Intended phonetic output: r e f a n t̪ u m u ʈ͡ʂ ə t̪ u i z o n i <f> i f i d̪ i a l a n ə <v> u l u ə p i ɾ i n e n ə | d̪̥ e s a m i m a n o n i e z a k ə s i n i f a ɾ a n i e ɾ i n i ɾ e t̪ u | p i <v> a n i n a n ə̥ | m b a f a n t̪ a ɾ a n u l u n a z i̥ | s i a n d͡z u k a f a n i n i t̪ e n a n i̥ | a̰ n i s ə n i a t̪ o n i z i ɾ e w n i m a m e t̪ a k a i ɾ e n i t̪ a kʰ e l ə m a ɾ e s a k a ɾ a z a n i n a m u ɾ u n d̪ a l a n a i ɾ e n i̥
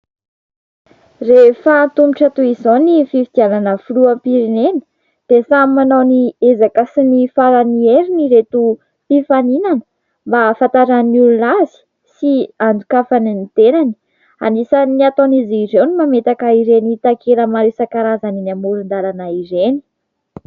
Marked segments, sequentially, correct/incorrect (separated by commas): correct, incorrect, incorrect